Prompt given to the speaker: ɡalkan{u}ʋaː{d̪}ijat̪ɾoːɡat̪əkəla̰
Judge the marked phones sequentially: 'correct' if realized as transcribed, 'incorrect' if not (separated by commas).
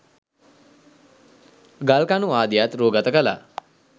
correct, correct